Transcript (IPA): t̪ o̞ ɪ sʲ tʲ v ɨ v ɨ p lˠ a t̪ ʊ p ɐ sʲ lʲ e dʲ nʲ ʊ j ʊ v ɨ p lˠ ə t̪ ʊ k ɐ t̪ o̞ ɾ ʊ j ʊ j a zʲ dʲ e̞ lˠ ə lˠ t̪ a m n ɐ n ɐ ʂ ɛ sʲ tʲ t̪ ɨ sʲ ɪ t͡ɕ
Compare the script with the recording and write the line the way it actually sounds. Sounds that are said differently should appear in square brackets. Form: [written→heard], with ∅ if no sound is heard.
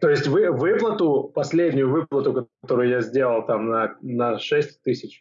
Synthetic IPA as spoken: t̪ o̞ ɪ sʲ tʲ v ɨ v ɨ p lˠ [a→ə] t̪ ʊ p ɐ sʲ lʲ e dʲ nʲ ʊ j ʊ v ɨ p lˠ ə t̪ ʊ k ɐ t̪ o̞ ɾ ʊ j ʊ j a zʲ dʲ e̞ lˠ ə lˠ t̪ a m n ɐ n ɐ ʂ ɛ sʲ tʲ t̪ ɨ sʲ ɪ t͡ɕ